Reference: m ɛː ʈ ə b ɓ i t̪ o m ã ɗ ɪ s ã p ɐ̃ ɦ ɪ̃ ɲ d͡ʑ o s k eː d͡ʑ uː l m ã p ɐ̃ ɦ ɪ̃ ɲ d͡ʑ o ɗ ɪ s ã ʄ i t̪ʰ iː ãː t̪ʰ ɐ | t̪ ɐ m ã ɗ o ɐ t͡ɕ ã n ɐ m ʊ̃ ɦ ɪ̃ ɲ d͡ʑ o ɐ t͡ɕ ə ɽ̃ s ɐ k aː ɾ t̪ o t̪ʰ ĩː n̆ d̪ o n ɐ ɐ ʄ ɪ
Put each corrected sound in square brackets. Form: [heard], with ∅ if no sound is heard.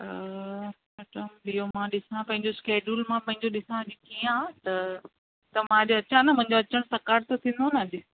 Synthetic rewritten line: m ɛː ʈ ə [m] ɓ i [∅] o m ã ɗ ɪ s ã p ɐ̃ ɦ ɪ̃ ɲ d͡ʑ o s k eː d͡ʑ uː l m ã p ɐ̃ ɦ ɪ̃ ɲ d͡ʑ o ɗ ɪ s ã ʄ i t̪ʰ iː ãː [t̪] ɐ | t̪ ɐ m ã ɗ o ɐ t͡ɕ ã n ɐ m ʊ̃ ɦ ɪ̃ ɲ d͡ʑ o ɐ t͡ɕ ə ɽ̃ s ɐ k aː ɾ t̪ o t̪ʰ ĩː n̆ d̪ o n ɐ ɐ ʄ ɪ